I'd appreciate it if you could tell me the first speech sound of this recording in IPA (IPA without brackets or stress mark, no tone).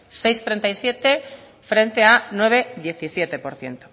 s